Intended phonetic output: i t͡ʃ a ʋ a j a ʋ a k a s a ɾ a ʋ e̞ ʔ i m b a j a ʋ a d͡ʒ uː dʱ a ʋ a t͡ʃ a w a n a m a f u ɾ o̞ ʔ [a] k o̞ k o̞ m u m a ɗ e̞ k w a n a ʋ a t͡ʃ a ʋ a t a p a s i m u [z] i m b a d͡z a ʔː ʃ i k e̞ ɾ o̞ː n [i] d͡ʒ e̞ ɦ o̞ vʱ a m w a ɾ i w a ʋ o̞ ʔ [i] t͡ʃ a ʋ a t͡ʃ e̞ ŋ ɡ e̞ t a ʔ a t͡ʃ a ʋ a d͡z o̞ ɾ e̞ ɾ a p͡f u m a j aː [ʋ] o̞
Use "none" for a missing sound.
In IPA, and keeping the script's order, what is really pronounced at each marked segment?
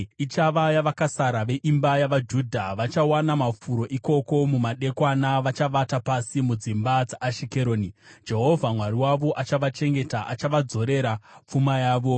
i, d͡z, i, a, ʋ

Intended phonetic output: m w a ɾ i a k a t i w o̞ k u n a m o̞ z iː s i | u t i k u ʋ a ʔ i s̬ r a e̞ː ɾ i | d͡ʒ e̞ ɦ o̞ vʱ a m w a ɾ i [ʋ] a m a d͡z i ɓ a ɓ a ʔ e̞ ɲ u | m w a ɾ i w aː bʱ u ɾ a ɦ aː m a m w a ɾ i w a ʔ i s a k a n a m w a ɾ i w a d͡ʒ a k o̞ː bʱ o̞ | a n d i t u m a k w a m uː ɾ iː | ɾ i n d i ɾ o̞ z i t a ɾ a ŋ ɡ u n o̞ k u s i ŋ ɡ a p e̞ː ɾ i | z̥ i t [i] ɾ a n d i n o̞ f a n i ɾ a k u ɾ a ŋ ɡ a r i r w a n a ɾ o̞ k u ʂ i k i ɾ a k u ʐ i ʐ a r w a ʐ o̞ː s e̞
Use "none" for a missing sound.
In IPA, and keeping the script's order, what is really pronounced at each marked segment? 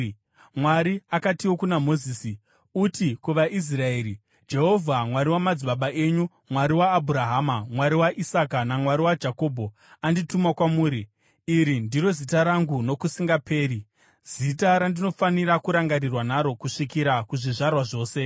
w, a

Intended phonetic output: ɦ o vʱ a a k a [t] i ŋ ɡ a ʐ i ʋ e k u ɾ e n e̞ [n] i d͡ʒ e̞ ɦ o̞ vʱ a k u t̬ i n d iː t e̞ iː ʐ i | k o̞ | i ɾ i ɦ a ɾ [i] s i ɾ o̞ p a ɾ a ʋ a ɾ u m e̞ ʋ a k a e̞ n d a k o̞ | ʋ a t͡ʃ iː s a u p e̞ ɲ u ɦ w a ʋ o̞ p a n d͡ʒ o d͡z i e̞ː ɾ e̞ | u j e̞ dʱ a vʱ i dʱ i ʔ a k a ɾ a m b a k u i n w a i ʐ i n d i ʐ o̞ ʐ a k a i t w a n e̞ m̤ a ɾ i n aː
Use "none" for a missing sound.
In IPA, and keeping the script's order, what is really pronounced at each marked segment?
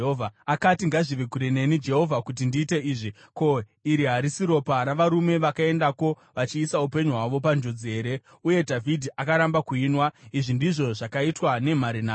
t, n, i

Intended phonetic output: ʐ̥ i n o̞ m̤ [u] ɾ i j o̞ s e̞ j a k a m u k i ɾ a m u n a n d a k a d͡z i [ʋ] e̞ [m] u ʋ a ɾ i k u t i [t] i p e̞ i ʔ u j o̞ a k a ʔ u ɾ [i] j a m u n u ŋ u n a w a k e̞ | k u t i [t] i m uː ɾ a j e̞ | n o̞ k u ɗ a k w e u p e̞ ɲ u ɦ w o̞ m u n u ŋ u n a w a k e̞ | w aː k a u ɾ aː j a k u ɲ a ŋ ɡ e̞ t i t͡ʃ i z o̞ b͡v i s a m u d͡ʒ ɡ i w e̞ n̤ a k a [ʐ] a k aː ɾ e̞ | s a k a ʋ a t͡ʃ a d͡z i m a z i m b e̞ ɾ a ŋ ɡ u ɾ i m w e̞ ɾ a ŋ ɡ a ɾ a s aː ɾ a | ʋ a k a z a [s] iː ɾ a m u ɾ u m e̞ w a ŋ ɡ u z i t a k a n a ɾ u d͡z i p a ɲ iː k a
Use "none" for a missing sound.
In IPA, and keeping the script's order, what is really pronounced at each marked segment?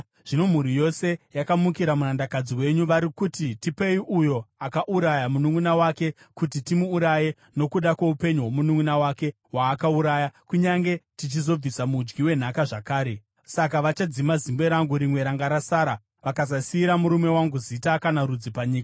u, w, ɲ, t, a, t, ʐ, s

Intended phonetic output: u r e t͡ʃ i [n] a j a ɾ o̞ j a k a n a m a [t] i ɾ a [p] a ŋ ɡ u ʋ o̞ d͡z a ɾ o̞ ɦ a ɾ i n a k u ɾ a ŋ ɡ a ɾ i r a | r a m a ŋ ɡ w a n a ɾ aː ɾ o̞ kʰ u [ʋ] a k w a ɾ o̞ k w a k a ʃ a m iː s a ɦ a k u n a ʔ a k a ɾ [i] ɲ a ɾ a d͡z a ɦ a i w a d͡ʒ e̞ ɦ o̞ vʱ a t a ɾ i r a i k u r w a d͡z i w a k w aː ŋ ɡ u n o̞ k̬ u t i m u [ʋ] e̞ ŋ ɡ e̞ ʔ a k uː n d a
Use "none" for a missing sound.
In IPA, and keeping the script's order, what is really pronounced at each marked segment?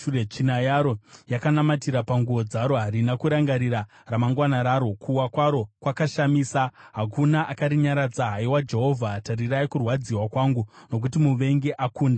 n, t, p, w, i, ʋ

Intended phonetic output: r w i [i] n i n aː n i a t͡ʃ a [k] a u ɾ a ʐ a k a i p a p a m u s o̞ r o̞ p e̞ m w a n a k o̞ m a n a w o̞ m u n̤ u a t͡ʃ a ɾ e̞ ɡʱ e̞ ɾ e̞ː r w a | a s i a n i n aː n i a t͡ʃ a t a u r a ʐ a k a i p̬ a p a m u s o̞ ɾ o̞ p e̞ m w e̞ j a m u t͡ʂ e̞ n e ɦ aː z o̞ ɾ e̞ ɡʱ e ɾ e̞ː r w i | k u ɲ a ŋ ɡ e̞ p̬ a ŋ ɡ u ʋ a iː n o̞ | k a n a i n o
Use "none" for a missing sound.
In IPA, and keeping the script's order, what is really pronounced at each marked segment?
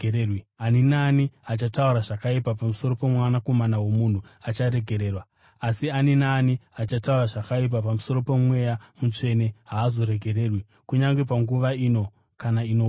a, t

